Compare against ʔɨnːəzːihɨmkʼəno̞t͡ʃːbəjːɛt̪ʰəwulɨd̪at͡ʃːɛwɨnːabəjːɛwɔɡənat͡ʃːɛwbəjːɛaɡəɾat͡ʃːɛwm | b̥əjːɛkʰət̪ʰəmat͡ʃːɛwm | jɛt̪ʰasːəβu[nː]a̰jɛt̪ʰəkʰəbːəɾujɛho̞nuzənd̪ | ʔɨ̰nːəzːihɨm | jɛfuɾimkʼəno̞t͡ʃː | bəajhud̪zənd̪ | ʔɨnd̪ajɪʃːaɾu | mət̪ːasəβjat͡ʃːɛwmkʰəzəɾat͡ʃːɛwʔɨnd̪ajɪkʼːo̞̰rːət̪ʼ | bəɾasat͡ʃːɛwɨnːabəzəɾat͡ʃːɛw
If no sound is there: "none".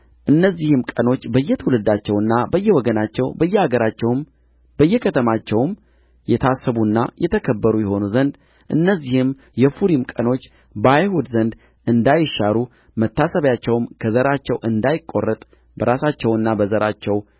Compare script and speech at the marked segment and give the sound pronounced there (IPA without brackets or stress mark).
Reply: nː